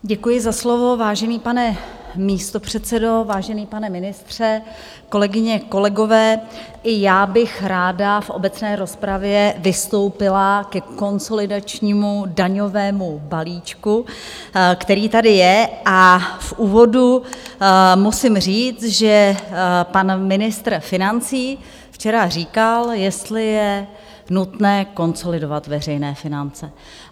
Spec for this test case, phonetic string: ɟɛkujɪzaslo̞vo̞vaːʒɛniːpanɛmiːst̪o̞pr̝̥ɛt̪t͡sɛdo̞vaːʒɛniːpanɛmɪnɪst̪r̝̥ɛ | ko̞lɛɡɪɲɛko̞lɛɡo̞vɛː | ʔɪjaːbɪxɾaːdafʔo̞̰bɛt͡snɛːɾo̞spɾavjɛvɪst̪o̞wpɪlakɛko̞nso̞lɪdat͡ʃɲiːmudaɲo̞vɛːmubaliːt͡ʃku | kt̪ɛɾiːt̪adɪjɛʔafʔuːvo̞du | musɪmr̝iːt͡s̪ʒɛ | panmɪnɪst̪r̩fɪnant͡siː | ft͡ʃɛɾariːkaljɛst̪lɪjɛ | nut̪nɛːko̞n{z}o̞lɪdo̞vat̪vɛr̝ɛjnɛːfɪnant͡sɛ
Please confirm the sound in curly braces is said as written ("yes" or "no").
no